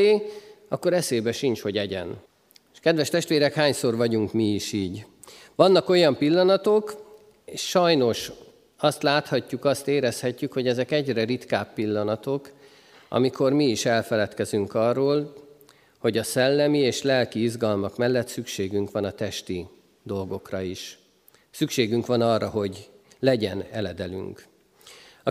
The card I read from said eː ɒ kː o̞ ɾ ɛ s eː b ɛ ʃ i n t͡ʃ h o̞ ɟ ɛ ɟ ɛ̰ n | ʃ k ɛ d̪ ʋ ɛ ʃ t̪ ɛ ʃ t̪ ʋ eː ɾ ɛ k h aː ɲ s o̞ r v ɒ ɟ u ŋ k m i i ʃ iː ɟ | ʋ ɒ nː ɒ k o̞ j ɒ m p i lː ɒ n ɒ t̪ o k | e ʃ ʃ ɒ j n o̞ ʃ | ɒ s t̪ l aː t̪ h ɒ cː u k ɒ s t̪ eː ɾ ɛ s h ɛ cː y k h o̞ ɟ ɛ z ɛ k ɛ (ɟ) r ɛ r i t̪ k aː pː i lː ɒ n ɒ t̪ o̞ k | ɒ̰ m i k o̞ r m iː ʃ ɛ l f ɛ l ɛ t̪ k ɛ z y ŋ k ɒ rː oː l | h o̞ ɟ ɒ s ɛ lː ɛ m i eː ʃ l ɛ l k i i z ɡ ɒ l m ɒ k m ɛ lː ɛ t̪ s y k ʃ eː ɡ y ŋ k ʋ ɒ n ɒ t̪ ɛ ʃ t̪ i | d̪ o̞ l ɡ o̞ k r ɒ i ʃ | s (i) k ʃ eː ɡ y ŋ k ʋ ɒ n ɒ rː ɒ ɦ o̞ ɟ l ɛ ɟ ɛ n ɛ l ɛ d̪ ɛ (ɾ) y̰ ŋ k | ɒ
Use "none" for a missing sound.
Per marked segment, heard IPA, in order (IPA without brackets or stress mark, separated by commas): ɟ, y, l